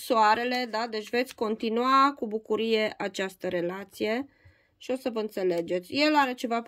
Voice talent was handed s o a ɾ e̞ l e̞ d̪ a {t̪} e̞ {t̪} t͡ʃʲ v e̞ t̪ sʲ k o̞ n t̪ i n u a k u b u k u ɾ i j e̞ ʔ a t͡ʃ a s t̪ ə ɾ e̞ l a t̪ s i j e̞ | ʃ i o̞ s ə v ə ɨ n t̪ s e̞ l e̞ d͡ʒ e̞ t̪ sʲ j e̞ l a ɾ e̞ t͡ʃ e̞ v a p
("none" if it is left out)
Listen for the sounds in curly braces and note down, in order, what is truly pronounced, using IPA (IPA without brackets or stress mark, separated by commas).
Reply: d̪, none